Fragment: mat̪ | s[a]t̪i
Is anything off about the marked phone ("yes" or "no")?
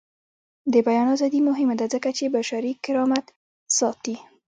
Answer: yes